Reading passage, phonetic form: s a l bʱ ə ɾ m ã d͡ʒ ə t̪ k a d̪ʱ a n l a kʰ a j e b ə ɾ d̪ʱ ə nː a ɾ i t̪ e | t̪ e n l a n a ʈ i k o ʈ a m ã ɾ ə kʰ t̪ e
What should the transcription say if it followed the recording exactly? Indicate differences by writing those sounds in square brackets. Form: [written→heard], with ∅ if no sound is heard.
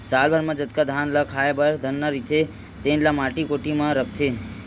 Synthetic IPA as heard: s a l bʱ ə ɾ m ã d͡ʒ ə t̪ k a d̪ʱ a n l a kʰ a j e b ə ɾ d̪ʱ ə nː a ɾ i t̪ e | t̪ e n l a [n→m] a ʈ i k o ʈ [a→i] m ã ɾ ə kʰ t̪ e